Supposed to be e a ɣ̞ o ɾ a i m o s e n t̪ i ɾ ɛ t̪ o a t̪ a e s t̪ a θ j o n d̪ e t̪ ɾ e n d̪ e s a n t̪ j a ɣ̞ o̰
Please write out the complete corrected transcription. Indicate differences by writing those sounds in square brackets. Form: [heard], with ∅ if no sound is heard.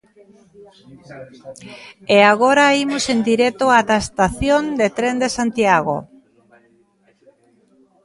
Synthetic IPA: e a ɣ̞ o ɾ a i m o s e n [d̪] i ɾ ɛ t̪ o a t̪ a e s t̪ a θ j o n d̪ e t̪ ɾ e n d̪ e s a n t̪ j a ɣ̞ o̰